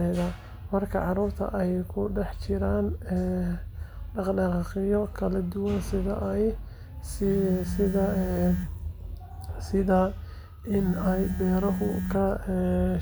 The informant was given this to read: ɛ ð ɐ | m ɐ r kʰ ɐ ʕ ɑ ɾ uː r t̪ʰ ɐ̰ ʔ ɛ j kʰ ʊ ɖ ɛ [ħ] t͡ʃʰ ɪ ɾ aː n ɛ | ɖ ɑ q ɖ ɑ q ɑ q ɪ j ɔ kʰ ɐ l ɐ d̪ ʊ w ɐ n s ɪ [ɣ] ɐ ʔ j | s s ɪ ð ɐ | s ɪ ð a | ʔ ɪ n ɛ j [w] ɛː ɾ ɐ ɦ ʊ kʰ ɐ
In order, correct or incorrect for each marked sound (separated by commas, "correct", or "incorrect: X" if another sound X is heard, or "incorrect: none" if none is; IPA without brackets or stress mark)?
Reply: correct, incorrect: ð, incorrect: b